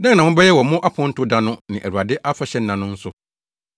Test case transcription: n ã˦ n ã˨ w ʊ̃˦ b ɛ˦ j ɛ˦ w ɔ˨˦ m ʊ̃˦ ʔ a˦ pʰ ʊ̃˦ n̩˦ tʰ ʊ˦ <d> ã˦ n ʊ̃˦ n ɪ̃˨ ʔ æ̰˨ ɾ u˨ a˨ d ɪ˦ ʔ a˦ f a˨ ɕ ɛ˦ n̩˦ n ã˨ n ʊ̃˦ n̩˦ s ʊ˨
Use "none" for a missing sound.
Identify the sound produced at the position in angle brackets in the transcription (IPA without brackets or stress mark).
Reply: d